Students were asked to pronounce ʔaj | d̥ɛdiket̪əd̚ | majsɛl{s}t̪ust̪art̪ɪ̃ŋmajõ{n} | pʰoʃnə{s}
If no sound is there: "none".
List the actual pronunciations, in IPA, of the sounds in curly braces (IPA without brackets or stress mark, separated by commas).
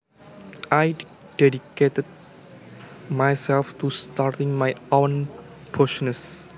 f, n, s